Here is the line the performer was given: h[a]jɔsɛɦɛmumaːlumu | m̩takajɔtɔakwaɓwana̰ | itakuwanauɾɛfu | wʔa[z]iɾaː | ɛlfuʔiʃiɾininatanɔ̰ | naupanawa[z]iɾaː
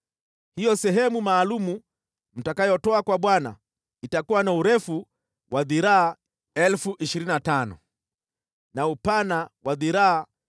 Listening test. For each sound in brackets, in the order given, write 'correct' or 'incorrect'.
incorrect, incorrect, incorrect

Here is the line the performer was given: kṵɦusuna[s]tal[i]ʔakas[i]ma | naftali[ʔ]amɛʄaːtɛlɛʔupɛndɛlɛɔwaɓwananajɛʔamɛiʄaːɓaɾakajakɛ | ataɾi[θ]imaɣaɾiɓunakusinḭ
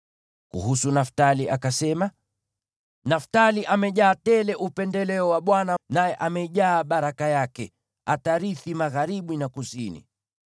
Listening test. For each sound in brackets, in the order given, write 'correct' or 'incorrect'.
incorrect, correct, incorrect, correct, correct

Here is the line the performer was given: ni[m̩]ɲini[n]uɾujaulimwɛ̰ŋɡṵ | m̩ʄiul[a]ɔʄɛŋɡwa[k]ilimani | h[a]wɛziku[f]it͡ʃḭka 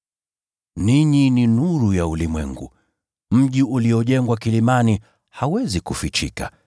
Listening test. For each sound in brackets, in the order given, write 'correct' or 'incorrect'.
incorrect, correct, incorrect, correct, correct, correct

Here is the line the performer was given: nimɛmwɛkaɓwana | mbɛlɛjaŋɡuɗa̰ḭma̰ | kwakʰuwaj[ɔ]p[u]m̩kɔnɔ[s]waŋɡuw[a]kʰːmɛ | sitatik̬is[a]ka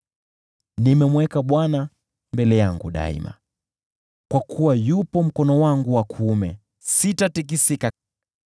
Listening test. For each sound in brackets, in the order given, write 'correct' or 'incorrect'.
incorrect, incorrect, incorrect, correct, incorrect

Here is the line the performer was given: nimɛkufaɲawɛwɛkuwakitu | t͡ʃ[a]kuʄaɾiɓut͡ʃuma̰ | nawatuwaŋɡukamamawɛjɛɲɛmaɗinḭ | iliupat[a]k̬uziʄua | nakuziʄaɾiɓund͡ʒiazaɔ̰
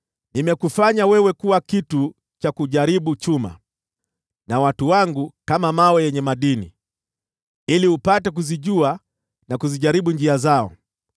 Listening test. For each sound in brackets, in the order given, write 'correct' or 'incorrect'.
correct, incorrect

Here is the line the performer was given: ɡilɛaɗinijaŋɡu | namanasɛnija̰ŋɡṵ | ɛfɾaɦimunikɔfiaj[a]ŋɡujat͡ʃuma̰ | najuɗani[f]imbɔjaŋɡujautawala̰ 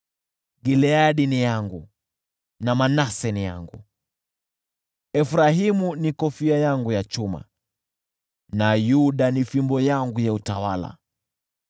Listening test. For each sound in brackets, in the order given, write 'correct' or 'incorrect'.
correct, correct

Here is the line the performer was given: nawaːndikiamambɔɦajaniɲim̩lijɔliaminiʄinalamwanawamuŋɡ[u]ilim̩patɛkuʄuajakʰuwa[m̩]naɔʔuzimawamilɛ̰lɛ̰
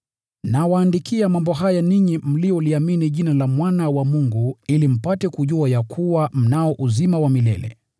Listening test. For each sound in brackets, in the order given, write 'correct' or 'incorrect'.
correct, correct

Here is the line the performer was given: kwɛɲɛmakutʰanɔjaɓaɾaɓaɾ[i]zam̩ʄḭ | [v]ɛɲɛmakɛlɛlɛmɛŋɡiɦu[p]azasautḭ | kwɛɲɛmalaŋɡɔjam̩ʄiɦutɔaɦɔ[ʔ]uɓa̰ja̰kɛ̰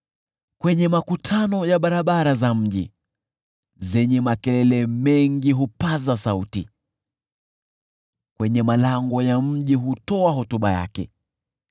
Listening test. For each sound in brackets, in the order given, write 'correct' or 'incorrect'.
incorrect, incorrect, correct, incorrect

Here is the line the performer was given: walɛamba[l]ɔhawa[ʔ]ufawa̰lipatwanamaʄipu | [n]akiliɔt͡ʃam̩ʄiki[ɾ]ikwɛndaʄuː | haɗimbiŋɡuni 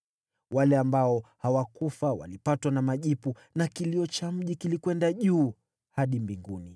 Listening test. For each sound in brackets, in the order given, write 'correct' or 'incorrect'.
incorrect, incorrect, correct, incorrect

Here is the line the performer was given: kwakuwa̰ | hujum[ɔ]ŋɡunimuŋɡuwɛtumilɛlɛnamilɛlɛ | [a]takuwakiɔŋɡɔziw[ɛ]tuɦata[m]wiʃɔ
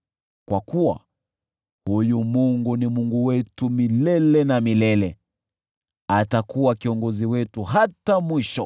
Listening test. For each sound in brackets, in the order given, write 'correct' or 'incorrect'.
incorrect, correct, correct, correct

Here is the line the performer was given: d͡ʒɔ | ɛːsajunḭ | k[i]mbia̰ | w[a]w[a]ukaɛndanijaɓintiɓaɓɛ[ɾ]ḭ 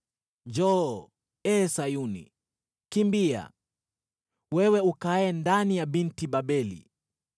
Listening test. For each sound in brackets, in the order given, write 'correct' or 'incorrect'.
correct, incorrect, incorrect, incorrect

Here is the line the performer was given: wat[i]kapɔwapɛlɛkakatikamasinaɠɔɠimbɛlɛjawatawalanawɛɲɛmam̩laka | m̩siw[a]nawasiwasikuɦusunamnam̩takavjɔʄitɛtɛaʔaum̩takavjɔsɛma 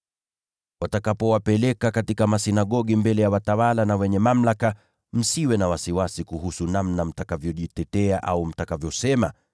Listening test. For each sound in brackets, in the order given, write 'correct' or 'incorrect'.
incorrect, incorrect

